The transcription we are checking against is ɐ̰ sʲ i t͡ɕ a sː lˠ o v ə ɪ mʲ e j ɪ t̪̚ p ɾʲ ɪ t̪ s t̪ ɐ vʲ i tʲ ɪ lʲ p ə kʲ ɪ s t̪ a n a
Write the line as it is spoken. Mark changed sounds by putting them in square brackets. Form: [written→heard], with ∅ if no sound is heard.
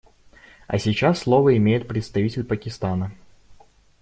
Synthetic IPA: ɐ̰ sʲ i t͡ɕ a sː lˠ o v ə ɪ mʲ e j ɪ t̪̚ p ɾʲ ɪ t̪ s t̪ ɐ vʲ i tʲ ɪ lʲ p ə kʲ ɪ s t̪ a n [a→ə]